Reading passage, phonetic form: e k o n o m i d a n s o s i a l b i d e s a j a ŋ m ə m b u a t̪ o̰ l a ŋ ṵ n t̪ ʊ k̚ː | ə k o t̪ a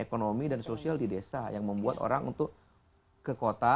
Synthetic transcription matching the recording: e k o n o m i d a n s o s i a l d i d e s a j a ŋ m ə m b u a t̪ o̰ ɾ a ŋ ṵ n t̪ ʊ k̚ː | ə k o t̪ a